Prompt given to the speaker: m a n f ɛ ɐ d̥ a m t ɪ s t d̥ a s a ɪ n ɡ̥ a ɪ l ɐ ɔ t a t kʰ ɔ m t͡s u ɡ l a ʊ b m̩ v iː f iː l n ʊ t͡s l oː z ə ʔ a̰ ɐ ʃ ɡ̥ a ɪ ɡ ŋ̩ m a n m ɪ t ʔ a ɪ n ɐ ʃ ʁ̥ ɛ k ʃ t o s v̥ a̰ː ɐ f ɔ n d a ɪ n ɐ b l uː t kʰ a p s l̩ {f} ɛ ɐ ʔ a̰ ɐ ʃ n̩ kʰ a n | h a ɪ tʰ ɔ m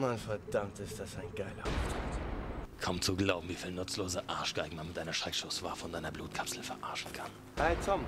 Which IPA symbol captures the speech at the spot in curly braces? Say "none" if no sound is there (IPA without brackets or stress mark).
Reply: f